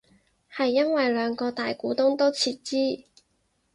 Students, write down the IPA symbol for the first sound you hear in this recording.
h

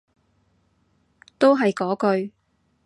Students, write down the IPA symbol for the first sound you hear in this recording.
t̪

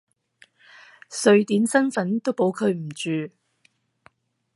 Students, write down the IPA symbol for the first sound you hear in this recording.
s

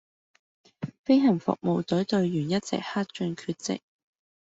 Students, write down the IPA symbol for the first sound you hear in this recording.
f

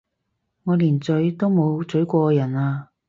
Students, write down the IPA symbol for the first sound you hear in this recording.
ŋ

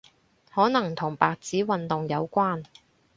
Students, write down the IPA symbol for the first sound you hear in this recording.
h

